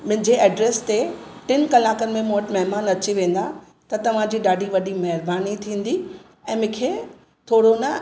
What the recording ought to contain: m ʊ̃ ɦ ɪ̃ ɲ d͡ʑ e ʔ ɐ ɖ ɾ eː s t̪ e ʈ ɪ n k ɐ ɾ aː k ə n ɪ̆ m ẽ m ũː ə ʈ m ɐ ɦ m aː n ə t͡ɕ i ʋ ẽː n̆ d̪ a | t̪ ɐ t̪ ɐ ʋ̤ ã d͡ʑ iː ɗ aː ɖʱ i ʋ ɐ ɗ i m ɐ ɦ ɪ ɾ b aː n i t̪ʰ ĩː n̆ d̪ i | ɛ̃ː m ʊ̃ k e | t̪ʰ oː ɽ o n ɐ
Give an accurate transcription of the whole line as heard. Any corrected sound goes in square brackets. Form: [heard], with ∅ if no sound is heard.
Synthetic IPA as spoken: m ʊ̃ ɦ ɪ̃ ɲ d͡ʑ e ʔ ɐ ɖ ɾ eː s t̪ e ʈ ɪ n k ɐ [l] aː k ə n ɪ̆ m ẽ m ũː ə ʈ m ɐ ɦ m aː n [ɐ] t͡ɕ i ʋ ẽː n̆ d̪ a | t̪ ɐ t̪ ɐ ʋ̤ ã d͡ʑ iː ɗ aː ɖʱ i ʋ ɐ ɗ i m ɐ ɦ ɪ ɾ b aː n i t̪ʰ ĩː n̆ d̪ i | ɛ̃ː m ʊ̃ [kʰ] e | t̪ʰ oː ɽ o n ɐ